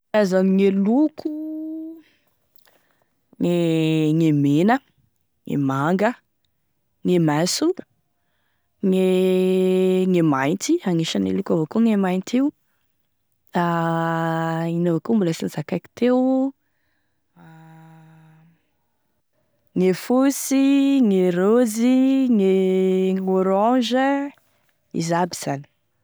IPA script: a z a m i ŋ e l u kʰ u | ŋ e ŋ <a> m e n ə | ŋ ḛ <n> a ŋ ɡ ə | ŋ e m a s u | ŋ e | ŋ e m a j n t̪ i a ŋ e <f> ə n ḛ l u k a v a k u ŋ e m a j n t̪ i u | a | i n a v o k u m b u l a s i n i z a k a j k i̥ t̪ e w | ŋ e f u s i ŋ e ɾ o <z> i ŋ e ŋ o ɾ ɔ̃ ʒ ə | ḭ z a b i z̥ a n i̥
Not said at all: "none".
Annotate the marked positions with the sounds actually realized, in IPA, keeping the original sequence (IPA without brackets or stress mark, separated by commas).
e, m, ʃ, z